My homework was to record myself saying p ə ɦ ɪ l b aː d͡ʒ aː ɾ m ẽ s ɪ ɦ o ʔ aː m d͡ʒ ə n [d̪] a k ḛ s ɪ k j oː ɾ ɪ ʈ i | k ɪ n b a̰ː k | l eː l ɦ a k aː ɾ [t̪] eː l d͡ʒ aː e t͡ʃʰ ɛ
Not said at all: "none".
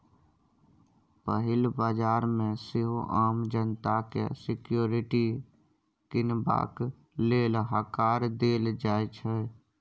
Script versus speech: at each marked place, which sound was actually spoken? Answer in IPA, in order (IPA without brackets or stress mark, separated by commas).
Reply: t̪, d̪